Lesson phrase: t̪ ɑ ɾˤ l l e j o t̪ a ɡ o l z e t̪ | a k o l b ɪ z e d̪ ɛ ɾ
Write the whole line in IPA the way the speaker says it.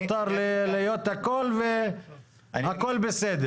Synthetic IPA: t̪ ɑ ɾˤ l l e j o t̪ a k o l v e | a k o l b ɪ s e d̪ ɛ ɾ